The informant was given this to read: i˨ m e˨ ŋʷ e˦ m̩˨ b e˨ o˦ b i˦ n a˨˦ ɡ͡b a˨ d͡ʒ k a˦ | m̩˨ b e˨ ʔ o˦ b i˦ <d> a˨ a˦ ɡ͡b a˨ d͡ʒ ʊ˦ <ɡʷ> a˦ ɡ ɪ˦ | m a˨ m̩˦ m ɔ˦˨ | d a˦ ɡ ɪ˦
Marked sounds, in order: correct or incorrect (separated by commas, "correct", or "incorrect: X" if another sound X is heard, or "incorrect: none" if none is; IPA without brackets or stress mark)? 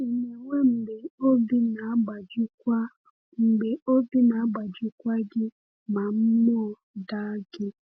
incorrect: n, incorrect: kʷ